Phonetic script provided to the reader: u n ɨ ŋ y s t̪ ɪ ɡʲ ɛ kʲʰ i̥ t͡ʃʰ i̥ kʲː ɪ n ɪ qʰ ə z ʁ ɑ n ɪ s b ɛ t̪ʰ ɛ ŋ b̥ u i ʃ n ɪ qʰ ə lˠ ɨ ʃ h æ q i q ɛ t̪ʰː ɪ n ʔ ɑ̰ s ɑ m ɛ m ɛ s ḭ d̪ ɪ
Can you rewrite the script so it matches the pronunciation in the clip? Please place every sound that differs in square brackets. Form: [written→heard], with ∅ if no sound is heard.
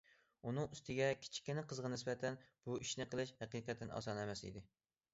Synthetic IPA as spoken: u n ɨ ŋ y s t̪ ɪ ɡʲ ɛ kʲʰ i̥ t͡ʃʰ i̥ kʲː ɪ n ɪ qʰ ə z ʁ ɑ n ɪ s b ɛ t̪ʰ ɛ [ŋ→n] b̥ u i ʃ n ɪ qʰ ə lˠ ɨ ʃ h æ q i q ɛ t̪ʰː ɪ n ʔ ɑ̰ s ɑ [m→n] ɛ m ɛ s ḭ d̪ ɪ